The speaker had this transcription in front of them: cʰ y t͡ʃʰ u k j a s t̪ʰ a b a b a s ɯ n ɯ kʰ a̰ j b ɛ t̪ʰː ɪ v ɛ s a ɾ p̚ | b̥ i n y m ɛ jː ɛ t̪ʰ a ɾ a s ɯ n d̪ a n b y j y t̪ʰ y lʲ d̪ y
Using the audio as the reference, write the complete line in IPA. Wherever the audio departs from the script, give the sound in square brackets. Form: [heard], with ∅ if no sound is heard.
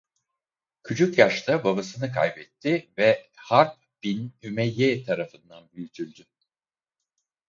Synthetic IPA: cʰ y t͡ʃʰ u k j a [ʃ] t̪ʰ a b a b a s ɯ n ɯ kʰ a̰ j b ɛ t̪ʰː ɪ v ɛ [h] a ɾ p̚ | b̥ i n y m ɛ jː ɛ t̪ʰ a ɾ a [f] ɯ n d̪ a n b y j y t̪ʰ y lʲ d̪ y

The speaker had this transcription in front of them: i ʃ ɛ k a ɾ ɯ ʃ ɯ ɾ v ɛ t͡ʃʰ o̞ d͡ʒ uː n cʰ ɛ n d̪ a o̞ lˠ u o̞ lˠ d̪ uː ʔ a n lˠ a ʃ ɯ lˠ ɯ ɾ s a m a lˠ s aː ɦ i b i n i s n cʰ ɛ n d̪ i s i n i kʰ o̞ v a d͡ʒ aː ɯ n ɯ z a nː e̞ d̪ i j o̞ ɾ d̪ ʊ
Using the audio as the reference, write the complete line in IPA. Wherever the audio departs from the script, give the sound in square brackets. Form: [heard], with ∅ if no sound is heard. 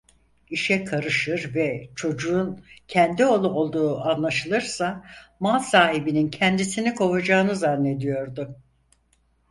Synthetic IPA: i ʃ ɛ [kʰ] a ɾ ɯ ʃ ɯ ɾ v ɛ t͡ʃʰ o̞ d͡ʒ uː n cʰ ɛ n d̪ [i] o̞ lˠ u o̞ lˠ d̪ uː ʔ a n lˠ a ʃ ɯ lˠ ɯ ɾ s a m a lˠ s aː ɦ i b i n i [∅] n cʰ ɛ n d̪ i s i n i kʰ o̞ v a d͡ʒ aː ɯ n ɯ z a nː e̞ d̪ i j o̞ ɾ d̪ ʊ

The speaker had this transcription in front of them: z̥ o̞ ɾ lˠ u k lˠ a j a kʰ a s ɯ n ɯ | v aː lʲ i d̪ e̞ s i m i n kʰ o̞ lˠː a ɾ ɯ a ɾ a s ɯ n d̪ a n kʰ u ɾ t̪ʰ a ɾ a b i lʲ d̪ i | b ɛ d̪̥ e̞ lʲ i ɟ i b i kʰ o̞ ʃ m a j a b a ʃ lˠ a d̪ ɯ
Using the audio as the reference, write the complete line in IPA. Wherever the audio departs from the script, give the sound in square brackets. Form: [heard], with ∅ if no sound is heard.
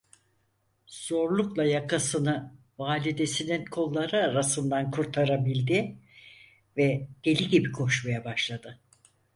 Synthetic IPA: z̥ o̞ ɾ lˠ u k lˠ a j a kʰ a s ɯ n ɯ | v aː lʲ i d̪ e̞ s i [n] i n kʰ o̞ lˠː a ɾ ɯ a ɾ a s ɯ n d̪ a n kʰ u ɾ t̪ʰ a ɾ a b i lʲ d̪ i | [v] ɛ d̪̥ e̞ lʲ i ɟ i b i kʰ o̞ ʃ m a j a b a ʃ lˠ a d̪ ɯ

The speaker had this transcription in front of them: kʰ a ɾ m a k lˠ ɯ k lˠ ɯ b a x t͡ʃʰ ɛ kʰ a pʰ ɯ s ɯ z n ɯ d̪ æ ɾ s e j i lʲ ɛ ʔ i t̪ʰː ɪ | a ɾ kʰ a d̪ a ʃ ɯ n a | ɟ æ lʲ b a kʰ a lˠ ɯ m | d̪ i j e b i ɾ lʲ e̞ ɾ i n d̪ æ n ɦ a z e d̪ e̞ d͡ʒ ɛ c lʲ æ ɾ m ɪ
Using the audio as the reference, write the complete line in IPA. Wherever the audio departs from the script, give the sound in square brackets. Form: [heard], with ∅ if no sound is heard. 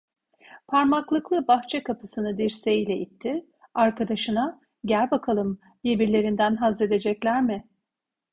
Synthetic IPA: [pʰ] a ɾ m a k lˠ ɯ k lˠ ɯ b a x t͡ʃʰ ɛ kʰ a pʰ ɯ s ɯ [∅] n ɯ d̪ [i] ɾ s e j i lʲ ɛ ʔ i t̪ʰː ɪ | a ɾ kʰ a d̪ a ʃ ɯ n a | ɟ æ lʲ b a kʰ a lˠ ɯ m | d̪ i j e b i ɾ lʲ e̞ ɾ i n d̪ æ n ɦ a z e d̪ e̞ d͡ʒ ɛ c lʲ æ ɾ m ɪ

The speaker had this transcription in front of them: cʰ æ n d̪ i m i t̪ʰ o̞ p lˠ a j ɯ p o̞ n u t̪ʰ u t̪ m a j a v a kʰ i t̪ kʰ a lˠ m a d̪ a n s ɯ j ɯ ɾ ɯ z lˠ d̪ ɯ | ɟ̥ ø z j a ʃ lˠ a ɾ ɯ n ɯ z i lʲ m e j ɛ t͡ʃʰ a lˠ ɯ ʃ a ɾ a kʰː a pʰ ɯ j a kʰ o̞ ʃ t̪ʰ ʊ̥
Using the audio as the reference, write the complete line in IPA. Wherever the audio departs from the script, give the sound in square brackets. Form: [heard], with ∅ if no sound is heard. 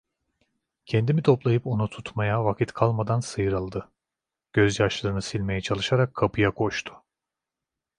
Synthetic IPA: cʰ [ɛ] n d̪ i m i t̪ʰ o̞ p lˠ a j ɯ p o̞ n u t̪ʰ u t̪ m a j a v a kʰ i t̪ kʰ a lˠ m a d̪ a n s ɯ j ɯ ɾ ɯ [∅] lˠ d̪ ɯ | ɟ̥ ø z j a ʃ lˠ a ɾ ɯ n ɯ [s] i lʲ m e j ɛ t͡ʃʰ a lˠ ɯ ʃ a ɾ a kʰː a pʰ ɯ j a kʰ o̞ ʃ t̪ʰ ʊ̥

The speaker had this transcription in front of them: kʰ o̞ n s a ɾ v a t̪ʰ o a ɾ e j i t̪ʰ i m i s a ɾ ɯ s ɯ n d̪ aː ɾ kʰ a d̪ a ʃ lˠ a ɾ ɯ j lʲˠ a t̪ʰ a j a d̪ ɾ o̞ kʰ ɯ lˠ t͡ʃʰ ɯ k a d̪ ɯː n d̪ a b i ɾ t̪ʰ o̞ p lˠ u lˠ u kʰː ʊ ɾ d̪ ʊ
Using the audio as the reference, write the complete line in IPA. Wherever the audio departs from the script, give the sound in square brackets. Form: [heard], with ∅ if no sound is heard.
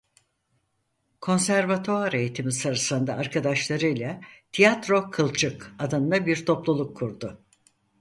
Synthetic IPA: kʰ o̞ n s [æ] ɾ v a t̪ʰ o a ɾ e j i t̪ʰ i m i s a ɾ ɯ s ɯ n d̪ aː ɾ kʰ a d̪ a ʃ lˠ a ɾ ɯ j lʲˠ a t̪ʰ [i] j a [t̪] ɾ o̞ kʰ ɯ lˠ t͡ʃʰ ɯ k a d̪ [ɯ] n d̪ a b i ɾ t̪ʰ o̞ p lˠ u lˠ u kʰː [u] ɾ d̪ ʊ

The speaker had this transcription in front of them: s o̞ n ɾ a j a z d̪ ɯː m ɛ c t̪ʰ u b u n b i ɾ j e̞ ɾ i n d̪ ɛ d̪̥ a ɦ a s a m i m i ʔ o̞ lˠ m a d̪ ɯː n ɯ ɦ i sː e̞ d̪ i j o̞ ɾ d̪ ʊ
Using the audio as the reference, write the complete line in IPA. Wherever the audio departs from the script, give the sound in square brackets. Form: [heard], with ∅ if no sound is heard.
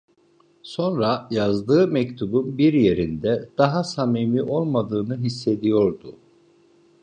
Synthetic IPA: s o̞ n ɾ a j a z d̪ ɯː m ɛ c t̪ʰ u b u n b i ɾ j e̞ ɾ i n d̪ ɛ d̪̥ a ɦ a s a m i m i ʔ o̞ lˠ m a d̪ ɯː n ɯ ɦ i sː e̞ d̪ i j o̞ ɾ d̪ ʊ

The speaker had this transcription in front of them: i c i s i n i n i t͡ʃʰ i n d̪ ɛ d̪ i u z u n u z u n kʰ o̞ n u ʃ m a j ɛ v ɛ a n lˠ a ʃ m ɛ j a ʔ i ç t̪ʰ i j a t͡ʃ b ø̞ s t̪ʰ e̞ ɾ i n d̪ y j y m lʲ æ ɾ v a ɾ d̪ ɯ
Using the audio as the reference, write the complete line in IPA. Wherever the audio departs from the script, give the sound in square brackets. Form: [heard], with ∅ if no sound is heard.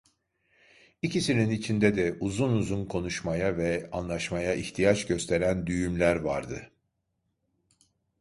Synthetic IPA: i c i s i n i n i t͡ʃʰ i n d̪ ɛ d̪ [ɛ] u z u n u z u n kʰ o̞ n u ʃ m a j [a] v ɛ a n lˠ a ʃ m [a] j a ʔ i ç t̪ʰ i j a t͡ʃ [ɟ] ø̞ s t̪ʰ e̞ ɾ [æ] n d̪ y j y m lʲ æ ɾ v a ɾ d̪ ɯ

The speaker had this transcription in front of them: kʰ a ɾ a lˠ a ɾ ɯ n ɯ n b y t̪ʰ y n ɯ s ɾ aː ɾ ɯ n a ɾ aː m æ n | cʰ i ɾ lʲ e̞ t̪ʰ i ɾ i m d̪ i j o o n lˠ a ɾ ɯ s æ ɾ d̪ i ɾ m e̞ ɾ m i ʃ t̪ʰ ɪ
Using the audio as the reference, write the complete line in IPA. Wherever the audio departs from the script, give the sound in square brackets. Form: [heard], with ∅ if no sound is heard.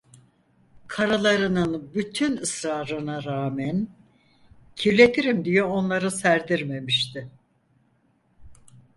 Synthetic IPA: kʰ a ɾ a lˠ a ɾ ɯ n ɯ n b y t̪ʰ y n ɯ s ɾ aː ɾ ɯ n a ɾ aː m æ n | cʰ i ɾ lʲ e̞ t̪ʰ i ɾ i m d̪ i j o o n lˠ a ɾ ɯ s æ ɾ d̪ i ɾ m e̞ [∅] m i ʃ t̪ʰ ɪ

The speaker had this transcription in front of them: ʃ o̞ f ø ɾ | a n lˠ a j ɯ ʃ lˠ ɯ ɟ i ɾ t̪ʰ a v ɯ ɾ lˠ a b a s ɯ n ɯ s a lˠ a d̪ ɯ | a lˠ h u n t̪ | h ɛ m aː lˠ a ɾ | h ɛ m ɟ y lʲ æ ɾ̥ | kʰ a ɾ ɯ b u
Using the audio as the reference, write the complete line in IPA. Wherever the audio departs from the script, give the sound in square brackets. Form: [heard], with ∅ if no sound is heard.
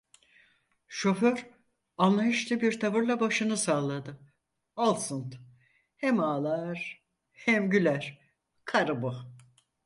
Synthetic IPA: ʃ o̞ f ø ɾ | a n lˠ a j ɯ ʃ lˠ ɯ [b] i ɾ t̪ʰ a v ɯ ɾ lˠ a b a [ʃ] ɯ n ɯ s a lˠ a d̪ ɯ | a lˠ [s] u n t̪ | h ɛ m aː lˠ a ɾ | h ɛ m ɟ y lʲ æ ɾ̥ | kʰ a ɾ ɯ b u

